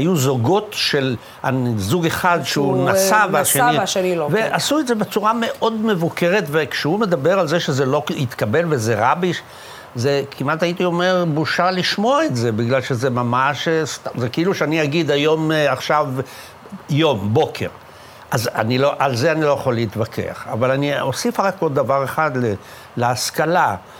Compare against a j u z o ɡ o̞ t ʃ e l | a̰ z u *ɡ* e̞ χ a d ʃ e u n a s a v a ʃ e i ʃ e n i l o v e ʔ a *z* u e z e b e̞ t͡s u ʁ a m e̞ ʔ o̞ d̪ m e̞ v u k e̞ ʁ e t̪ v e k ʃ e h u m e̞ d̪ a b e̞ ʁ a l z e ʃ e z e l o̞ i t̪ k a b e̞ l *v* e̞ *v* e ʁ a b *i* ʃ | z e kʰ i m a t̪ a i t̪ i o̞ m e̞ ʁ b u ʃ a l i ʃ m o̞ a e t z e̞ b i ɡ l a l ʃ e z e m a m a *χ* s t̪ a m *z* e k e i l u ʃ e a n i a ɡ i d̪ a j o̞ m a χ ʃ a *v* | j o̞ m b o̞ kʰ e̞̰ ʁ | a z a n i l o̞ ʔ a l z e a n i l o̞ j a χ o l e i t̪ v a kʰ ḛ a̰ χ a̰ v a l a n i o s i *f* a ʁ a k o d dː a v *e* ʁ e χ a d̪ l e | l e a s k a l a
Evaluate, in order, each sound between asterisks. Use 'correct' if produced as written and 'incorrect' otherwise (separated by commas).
correct, incorrect, correct, incorrect, correct, incorrect, correct, correct, correct, incorrect